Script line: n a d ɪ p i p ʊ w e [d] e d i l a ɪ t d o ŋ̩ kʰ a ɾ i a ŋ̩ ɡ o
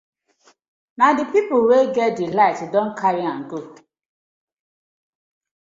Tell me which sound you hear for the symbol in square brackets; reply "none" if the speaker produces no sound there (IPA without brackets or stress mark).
ɡ